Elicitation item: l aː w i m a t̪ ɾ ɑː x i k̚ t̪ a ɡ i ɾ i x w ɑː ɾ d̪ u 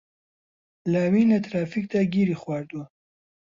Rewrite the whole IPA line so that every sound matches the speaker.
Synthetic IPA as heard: l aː w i n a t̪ ɾ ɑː f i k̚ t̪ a ɡ i ɾ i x w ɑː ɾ d̪ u